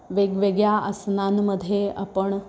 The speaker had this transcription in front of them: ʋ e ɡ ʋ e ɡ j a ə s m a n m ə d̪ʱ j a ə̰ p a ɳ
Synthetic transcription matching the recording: ʋ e ɡ ʋ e ɡ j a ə s n a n m ə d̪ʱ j e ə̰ p ə ɳ